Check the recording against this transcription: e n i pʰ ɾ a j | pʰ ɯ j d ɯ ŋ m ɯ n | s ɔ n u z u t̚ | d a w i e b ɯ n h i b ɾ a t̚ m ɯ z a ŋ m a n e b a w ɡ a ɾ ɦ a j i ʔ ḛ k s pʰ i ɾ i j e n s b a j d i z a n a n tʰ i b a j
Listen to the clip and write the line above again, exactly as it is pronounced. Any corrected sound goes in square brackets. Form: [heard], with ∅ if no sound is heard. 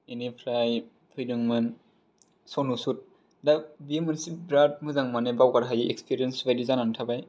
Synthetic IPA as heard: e n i pʰ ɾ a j | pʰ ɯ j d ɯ ŋ m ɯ n | s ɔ n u [s] u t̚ | d a [b] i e [m] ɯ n [s] i b ɾ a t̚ m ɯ z a ŋ m a n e b a w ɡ a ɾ ɦ a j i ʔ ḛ k s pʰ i ɾ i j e n s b a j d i z a n a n tʰ [a] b a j

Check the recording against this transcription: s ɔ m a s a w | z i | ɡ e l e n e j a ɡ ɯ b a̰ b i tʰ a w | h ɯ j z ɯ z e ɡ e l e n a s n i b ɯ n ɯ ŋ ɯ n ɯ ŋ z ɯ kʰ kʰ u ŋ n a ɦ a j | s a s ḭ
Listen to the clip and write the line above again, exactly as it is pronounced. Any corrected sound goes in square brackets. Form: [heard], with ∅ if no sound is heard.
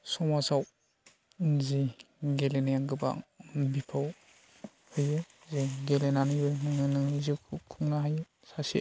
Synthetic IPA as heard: s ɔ m a s a w | z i | ɡ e l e n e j a ɡ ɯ b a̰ b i [pʰ] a w | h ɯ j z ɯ z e ɡ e l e n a [∅] n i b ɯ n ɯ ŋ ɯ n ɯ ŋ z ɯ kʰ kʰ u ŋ n a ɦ a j | s a s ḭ

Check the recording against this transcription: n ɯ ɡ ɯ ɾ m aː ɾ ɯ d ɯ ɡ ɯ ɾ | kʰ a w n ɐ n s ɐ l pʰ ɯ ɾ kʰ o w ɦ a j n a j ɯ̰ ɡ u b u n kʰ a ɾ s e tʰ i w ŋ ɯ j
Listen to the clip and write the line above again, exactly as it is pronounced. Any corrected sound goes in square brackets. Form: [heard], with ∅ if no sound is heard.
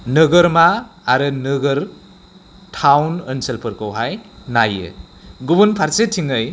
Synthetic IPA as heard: n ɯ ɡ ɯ ɾ m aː ɾ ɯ [n] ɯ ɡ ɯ ɾ | [tʰ] a w n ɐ n s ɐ l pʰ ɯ ɾ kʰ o w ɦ a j n a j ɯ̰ ɡ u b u n [pʰ] a ɾ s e tʰ i [∅] ŋ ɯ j

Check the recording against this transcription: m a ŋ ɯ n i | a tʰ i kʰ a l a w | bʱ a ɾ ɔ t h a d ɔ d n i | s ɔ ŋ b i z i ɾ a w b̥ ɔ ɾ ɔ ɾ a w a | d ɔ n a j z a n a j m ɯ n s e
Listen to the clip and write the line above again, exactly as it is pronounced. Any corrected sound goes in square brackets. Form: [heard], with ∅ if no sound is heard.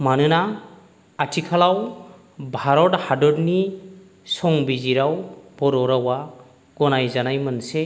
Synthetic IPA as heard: m a [n] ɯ n [a] | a tʰ i kʰ a l a w | bʱ a ɾ ɔ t h a d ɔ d n i | s ɔ ŋ b i z i ɾ a w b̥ ɔ ɾ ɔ ɾ a w a | [ɡ] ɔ n a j z a n a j m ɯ n s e

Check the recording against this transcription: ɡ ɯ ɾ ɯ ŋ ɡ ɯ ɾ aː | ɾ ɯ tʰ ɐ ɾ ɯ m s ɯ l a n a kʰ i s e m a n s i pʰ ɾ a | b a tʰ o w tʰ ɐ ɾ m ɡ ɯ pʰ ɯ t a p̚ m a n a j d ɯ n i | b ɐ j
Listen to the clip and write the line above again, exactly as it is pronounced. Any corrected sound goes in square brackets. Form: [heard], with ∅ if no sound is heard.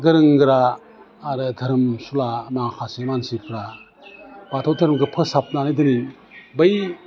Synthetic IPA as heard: ɡ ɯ ɾ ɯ ŋ ɡ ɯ ɾ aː | ɾ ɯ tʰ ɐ ɾ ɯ m s [u] l a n a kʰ [a] s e m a n s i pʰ ɾ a | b a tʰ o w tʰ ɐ ɾ m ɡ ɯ pʰ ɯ [s] a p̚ [n] a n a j d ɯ n i | b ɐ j

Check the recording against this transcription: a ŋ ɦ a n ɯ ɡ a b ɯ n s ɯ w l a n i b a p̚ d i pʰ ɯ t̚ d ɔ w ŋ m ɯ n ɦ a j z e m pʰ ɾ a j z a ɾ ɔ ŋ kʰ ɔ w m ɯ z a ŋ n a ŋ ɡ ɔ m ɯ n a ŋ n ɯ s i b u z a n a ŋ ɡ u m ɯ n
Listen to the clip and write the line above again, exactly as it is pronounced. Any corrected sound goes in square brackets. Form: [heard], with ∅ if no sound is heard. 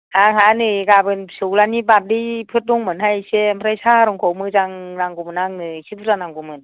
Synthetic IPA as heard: a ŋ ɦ a n ɯ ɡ a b ɯ n s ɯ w l a n i b a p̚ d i pʰ ɯ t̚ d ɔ [∅] ŋ m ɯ n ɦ a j [s] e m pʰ ɾ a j [s] a ɾ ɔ ŋ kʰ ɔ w m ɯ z a ŋ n a ŋ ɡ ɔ m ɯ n a ŋ n ɯ s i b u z a n a ŋ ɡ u m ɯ n

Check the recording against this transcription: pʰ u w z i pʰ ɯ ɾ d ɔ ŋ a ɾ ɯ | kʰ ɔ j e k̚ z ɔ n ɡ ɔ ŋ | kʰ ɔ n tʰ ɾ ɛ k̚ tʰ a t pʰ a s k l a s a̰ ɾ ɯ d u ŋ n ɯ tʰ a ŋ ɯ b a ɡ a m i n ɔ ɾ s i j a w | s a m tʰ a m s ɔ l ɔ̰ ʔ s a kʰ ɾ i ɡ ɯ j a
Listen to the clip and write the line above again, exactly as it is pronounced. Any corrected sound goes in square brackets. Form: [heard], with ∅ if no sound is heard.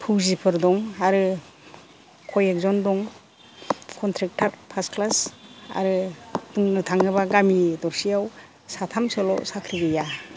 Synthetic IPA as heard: pʰ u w z i pʰ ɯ ɾ d ɔ ŋ a ɾ ɯ | kʰ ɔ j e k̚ z ɔ n [d] ɔ ŋ | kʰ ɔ n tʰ ɾ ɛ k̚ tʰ a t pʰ a s k l a s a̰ ɾ ɯ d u ŋ n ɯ tʰ a ŋ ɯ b a ɡ a m i [d] ɔ ɾ s i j a w | s a [∅] tʰ a m s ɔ l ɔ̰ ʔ s a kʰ ɾ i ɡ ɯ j a

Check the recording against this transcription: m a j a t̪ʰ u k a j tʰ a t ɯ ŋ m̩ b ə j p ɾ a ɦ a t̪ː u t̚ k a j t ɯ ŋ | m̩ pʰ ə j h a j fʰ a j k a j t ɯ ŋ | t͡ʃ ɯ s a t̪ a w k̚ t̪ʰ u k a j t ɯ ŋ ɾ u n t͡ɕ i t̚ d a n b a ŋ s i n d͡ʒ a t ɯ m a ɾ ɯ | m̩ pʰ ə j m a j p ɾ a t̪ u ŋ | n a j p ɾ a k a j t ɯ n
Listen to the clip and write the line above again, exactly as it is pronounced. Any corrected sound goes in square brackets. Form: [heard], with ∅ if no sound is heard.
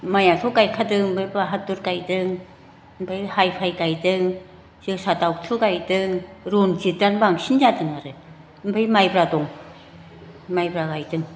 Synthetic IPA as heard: m a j a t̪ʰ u k a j [kʰ] a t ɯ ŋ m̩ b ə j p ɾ a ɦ a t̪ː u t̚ k a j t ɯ ŋ | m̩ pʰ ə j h a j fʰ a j k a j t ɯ ŋ | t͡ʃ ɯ s a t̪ a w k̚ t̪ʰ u k a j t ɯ ŋ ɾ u n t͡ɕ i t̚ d a n b a ŋ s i n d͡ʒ a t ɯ [ŋ] a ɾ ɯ | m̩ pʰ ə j m a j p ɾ a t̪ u ŋ | [m] a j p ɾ a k a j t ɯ [ŋ]

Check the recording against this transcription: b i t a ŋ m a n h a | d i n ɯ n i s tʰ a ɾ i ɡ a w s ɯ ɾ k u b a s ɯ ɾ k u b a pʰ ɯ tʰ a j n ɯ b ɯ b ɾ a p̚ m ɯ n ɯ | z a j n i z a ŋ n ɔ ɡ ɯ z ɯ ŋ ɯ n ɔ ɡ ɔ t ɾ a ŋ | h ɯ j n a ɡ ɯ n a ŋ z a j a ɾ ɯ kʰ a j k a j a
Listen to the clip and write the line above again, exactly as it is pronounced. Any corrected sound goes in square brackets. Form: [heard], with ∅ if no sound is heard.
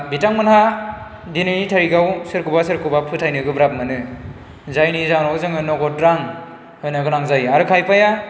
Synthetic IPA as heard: b i t a ŋ m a n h a | d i n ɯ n i [∅] tʰ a ɾ i ɡ a w s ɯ ɾ k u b a s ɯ ɾ k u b a pʰ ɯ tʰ a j n ɯ [ɡ] ɯ b ɾ a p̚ m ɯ n ɯ | z a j n i z a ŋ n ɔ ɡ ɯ z ɯ ŋ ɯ n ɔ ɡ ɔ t ɾ a ŋ | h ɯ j n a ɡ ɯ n a ŋ z a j a ɾ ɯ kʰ a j [p] a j a

